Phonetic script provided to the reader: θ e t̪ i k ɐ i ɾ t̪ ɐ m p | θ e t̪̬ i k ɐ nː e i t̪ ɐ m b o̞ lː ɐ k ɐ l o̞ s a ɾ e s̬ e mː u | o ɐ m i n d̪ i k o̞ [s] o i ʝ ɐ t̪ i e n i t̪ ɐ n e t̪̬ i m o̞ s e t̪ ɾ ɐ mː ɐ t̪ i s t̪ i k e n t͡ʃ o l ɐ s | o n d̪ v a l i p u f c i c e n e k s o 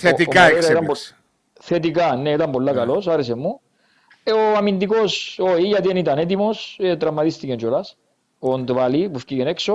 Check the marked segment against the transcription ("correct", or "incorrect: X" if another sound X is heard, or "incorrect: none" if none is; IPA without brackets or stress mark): correct